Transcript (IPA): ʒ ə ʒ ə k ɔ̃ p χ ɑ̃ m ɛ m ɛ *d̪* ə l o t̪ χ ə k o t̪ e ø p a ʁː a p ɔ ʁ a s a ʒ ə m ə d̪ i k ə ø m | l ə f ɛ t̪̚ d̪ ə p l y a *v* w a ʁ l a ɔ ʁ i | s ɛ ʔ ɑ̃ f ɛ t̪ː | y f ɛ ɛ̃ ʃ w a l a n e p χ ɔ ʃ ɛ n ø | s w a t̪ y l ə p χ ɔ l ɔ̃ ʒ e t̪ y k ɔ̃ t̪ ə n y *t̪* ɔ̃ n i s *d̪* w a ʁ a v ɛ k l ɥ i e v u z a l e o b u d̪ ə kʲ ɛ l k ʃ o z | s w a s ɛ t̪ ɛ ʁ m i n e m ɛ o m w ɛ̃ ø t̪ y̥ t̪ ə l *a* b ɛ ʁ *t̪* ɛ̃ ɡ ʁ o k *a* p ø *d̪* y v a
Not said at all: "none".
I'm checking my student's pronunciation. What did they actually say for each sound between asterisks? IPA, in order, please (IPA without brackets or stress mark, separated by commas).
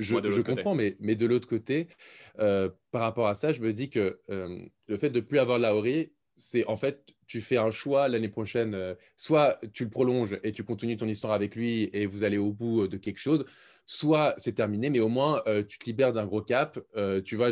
d̪, v, t̪, t̪, i, d̪, a, t̪